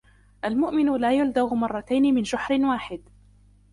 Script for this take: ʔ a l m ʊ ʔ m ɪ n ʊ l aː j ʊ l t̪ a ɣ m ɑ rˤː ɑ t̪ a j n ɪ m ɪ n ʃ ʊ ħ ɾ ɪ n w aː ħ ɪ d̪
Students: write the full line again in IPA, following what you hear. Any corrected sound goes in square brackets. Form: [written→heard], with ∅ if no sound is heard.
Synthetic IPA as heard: ʔ a l m ʊ ʔ m ɪ n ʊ l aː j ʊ l [t̪→d̪] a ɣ m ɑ rˤː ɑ t̪ a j n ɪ m ɪ n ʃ ʊ ħ ɾ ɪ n w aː ħ ɪ d̪